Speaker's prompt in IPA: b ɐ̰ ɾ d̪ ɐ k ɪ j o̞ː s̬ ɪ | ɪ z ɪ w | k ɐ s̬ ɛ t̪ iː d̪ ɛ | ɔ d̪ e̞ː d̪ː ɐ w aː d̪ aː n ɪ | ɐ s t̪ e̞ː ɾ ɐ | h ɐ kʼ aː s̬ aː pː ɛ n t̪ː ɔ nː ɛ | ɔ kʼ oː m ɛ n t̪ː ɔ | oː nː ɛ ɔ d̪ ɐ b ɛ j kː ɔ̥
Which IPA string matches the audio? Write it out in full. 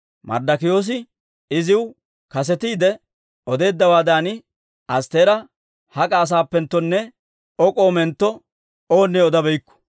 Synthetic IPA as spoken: m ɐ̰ ɾ d̪ ɐ k ɪ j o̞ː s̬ ɪ | ɪ z ɪ w | k ɐ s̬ ɛ t̪ iː d̪ ɛ | ɔ d̪ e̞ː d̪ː ɐ w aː d̪ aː n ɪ | ɐ s t̪ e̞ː ɾ ɐ | h ɐ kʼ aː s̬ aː pː ɛ n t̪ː ɔ nː ɛ | ɔ kʼ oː m ɛ n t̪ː ɔ | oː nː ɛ ɔ d̪ ɐ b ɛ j kː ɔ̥